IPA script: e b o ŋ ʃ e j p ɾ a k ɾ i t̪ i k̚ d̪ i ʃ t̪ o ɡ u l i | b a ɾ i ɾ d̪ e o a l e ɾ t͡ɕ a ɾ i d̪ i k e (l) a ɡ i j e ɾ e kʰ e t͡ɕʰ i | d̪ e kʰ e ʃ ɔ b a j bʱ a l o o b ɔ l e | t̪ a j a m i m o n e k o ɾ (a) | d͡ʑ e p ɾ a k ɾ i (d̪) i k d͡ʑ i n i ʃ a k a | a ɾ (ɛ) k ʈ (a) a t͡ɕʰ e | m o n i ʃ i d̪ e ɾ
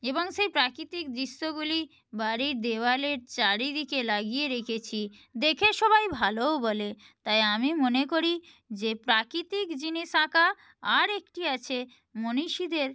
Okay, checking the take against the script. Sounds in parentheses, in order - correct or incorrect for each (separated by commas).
correct, incorrect, incorrect, incorrect, incorrect